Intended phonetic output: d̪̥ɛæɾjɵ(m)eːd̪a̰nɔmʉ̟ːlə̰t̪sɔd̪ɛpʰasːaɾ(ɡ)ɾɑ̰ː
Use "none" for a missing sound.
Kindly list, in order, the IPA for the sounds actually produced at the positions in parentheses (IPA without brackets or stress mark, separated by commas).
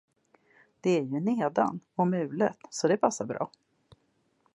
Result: n, b